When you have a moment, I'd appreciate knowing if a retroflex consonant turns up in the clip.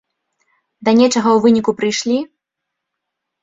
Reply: yes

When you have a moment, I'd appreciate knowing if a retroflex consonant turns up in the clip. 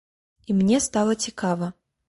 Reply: no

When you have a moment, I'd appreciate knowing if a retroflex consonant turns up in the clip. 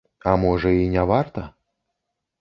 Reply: yes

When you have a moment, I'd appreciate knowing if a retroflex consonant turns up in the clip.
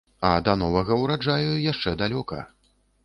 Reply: yes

